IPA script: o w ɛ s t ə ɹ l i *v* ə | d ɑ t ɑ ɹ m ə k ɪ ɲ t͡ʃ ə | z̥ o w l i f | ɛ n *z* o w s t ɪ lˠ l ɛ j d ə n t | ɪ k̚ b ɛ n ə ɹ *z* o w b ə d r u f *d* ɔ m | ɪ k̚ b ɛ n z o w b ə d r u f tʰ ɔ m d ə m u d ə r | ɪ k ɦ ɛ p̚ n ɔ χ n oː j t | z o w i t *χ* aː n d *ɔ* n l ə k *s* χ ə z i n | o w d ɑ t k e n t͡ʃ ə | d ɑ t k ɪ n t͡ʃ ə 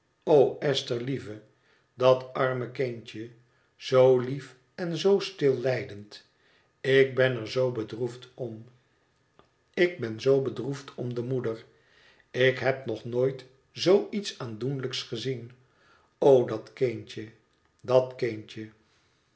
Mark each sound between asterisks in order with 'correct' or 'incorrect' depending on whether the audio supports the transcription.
correct, correct, correct, incorrect: t, incorrect: s, incorrect: u, correct

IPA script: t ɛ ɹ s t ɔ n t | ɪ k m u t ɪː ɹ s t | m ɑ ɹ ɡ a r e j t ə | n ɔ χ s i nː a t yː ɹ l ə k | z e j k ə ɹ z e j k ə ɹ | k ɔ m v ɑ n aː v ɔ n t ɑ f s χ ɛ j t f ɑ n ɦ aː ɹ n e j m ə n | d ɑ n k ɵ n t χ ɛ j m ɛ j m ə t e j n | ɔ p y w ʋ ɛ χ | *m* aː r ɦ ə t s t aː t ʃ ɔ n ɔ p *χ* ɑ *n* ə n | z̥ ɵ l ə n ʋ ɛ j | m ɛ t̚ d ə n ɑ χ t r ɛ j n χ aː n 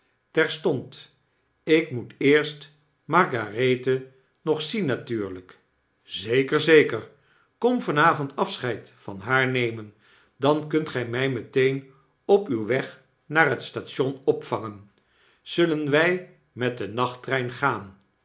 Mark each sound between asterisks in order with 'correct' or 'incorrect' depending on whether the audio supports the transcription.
incorrect: n, incorrect: f, incorrect: ŋ

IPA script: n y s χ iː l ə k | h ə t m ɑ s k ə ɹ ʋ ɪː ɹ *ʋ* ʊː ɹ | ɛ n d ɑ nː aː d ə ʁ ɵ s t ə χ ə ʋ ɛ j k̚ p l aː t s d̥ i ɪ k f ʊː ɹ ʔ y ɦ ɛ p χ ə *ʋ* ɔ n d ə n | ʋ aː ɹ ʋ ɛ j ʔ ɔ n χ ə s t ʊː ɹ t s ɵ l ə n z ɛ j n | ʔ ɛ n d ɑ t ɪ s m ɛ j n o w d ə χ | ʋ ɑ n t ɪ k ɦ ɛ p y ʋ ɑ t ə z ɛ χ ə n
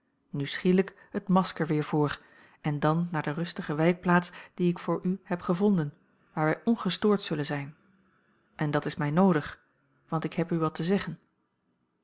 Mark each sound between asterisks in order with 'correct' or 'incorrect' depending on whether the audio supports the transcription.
incorrect: v, incorrect: v

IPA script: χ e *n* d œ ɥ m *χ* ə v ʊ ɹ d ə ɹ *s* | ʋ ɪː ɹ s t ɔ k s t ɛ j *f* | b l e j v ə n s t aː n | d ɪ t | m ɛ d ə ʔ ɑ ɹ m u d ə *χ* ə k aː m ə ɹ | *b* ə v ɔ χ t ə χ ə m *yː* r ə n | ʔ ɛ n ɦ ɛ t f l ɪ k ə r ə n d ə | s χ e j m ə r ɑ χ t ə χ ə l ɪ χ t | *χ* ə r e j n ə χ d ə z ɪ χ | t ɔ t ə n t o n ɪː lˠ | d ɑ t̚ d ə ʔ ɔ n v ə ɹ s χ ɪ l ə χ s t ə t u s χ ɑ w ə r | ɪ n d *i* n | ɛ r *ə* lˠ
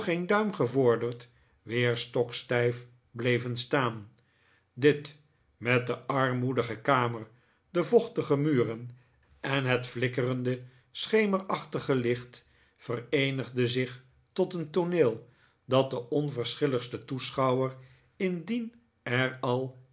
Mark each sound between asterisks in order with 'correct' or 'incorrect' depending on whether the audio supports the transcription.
correct, correct, incorrect: t, correct, correct, incorrect: d, correct, incorrect: f, correct, incorrect: ɑ

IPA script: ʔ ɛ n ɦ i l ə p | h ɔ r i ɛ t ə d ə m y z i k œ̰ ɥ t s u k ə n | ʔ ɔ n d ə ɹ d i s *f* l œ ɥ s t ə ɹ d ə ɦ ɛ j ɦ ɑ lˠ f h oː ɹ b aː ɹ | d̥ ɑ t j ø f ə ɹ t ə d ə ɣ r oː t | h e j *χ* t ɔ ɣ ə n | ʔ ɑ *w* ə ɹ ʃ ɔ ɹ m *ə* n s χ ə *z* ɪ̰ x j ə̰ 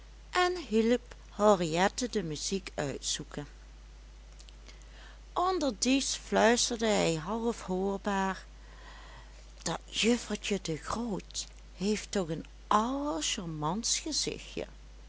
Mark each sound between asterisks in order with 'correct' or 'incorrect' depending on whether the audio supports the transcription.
correct, incorrect: f, correct, incorrect: ɑ, correct

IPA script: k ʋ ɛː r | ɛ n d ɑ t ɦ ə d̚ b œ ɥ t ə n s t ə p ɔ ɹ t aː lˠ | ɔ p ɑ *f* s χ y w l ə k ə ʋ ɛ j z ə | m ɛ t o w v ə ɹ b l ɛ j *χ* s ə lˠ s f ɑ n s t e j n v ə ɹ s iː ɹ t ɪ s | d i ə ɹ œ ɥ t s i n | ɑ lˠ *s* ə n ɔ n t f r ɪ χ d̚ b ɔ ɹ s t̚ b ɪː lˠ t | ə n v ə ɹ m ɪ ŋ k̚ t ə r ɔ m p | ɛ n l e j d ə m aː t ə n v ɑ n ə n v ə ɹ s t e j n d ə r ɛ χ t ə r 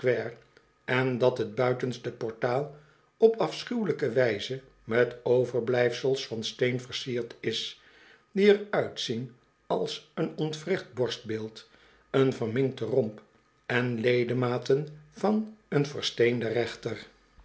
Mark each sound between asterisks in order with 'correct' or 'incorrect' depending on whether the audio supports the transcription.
correct, incorrect: f, correct

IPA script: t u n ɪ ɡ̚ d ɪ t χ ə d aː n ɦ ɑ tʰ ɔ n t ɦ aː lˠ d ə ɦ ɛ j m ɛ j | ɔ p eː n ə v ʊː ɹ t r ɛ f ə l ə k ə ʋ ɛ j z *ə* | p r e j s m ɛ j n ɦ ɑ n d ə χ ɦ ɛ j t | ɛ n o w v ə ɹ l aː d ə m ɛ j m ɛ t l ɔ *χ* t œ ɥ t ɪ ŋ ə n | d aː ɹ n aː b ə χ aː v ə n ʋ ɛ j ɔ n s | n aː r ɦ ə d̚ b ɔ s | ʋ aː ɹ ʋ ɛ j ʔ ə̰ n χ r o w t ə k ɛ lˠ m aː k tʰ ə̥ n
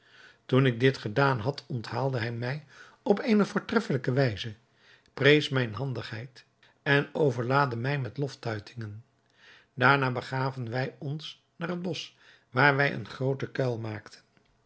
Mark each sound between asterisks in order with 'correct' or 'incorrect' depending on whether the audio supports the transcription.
correct, incorrect: f

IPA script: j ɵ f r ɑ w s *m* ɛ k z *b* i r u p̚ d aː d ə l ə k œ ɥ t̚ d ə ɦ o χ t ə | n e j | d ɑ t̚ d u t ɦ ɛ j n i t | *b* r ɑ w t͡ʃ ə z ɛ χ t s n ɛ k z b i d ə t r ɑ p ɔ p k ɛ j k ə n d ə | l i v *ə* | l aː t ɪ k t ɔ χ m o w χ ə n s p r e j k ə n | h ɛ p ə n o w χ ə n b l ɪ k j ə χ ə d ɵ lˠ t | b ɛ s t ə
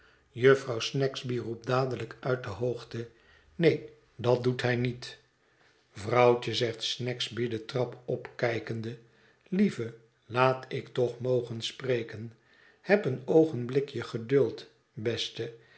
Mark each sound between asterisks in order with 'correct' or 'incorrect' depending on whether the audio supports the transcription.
incorrect: n, correct, incorrect: v, correct

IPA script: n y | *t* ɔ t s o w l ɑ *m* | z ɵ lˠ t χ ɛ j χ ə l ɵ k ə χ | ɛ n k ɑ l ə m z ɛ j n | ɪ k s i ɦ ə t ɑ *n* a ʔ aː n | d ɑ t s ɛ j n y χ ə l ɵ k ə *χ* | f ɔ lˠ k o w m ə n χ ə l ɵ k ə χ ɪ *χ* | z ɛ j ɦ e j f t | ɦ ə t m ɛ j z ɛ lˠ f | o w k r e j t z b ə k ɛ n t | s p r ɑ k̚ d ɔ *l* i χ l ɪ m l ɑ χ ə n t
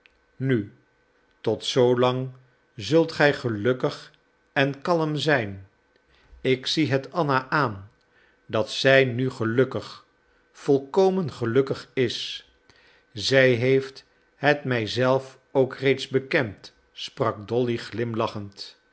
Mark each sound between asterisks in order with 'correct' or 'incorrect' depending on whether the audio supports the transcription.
correct, incorrect: ŋ, correct, correct, incorrect: s, correct

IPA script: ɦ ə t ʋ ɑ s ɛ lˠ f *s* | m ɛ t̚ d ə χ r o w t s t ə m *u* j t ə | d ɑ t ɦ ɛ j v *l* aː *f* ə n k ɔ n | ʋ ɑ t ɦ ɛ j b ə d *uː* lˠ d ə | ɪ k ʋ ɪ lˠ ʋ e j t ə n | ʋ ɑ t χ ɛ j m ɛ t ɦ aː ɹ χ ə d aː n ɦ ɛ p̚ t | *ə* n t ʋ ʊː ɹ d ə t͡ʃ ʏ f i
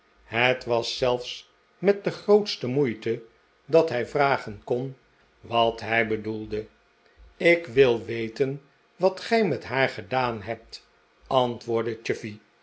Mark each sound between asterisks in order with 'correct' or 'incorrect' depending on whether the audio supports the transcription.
correct, correct, incorrect: r, incorrect: χ, incorrect: u, incorrect: ɑ

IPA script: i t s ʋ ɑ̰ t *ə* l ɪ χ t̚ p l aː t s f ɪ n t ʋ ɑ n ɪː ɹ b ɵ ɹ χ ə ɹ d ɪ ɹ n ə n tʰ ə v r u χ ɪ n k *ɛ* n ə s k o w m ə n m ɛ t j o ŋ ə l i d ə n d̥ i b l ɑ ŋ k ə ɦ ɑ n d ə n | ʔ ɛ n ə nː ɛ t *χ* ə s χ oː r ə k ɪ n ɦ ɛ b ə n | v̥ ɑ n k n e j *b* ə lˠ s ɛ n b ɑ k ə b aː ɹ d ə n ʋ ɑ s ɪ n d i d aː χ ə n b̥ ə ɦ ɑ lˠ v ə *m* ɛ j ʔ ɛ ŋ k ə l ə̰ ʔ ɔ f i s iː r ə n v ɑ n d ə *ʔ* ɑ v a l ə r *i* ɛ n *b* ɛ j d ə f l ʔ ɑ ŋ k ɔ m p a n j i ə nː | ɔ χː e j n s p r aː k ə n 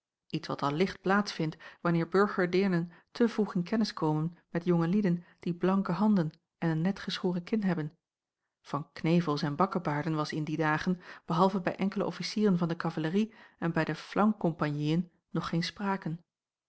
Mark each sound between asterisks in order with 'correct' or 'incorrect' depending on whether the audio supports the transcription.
incorrect: ɑ, correct, correct, incorrect: v, incorrect: b, incorrect: k, correct, correct

